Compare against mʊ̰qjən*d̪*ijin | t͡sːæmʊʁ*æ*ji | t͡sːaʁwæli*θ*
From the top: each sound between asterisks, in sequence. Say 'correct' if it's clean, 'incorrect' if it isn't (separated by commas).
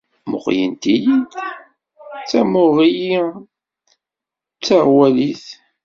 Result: incorrect, incorrect, correct